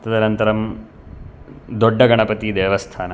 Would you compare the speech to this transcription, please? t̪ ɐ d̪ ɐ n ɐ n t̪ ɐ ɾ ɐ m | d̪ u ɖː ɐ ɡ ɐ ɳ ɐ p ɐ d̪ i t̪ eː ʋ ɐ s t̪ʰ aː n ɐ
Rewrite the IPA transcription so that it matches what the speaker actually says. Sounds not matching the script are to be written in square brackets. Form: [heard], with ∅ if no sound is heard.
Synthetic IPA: t̪ ɐ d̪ ɐ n ɐ n t̪ ɐ ɾ ɐ m | d̪ [o] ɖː ɐ ɡ ɐ ɳ ɐ p ɐ [t̪] i [d̪] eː ʋ ɐ s t̪ʰ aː n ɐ